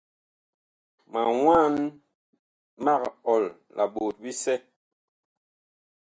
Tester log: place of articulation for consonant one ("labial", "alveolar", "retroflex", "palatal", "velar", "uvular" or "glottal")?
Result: labial